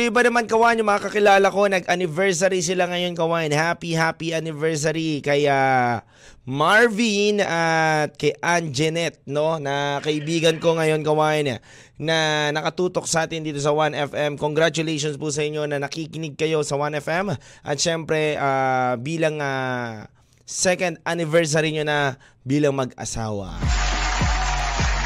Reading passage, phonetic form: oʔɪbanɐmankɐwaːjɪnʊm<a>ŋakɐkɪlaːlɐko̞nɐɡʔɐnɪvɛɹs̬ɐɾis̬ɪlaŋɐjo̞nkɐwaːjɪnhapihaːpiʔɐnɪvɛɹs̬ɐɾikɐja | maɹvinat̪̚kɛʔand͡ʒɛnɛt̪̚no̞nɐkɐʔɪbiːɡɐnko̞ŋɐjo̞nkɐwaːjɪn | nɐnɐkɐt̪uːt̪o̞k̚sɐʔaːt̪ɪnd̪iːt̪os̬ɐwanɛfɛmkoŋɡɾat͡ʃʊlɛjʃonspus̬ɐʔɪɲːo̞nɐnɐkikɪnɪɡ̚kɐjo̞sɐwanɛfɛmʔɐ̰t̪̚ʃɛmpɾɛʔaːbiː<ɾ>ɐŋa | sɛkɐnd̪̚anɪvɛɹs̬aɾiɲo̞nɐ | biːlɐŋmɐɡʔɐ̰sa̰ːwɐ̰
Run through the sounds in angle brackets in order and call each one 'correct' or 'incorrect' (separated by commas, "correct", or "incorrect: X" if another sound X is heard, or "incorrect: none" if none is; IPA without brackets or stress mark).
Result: incorrect: ɐ, incorrect: l